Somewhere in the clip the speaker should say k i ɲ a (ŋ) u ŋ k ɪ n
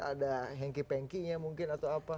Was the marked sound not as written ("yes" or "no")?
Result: yes